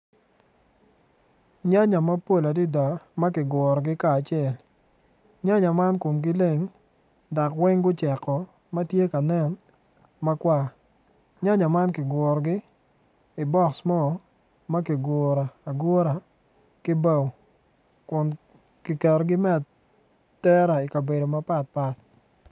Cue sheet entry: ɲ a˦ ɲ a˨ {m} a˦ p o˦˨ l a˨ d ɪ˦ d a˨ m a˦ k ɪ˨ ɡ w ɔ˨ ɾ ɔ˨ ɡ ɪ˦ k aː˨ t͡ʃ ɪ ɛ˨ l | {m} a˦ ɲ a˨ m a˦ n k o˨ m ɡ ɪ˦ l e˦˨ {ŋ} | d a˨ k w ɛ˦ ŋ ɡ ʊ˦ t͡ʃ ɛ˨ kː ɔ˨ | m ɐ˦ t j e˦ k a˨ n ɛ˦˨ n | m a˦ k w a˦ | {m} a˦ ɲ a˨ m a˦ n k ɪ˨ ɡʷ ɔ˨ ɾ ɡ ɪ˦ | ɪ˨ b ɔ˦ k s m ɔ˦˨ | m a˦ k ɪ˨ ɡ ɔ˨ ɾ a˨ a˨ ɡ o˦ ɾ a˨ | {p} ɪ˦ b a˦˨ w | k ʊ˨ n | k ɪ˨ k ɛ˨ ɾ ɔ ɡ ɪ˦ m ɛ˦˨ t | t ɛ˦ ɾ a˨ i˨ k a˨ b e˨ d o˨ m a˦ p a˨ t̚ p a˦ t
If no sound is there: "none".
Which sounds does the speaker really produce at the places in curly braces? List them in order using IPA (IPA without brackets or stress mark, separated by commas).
m, ɲ, ŋ, ɲ, k